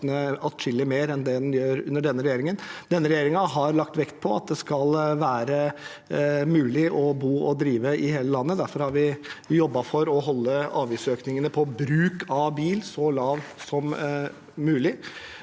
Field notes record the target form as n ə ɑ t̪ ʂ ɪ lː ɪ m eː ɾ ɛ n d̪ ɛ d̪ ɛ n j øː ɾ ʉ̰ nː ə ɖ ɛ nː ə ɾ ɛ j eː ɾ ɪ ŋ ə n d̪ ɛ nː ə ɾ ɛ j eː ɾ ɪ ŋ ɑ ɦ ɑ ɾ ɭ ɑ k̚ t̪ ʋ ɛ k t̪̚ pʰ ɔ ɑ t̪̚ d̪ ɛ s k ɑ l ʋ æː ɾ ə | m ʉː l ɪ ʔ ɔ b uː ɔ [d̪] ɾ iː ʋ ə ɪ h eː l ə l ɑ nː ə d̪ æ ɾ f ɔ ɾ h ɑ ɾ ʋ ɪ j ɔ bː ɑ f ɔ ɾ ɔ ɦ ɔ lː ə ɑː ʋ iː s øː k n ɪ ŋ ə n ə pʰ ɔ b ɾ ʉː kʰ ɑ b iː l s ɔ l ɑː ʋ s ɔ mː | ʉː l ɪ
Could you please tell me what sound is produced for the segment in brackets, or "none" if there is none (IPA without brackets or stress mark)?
d̪